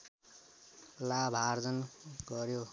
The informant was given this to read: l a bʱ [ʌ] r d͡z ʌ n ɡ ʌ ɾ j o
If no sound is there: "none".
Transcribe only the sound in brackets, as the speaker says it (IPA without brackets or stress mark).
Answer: a